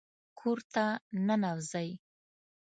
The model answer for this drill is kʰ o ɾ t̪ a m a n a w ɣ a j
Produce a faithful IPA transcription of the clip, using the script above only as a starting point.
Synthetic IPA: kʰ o ɾ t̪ a n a n a w z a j